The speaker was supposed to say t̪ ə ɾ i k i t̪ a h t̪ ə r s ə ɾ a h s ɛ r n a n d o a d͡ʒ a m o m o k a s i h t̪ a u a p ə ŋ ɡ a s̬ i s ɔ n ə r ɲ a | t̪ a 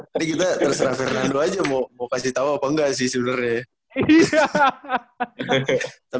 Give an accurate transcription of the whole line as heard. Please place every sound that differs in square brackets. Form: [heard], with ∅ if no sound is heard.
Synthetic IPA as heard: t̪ [a] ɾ i k i t̪ a [∅] t̪ ə r s ə ɾ a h [f] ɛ r n a n d o a d͡ʒ a m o m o k a s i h t̪ a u a p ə ŋ ɡ a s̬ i s [u] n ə r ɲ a | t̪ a